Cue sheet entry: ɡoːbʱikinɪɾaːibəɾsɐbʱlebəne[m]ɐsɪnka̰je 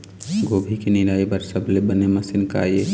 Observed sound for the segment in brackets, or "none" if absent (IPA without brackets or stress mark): m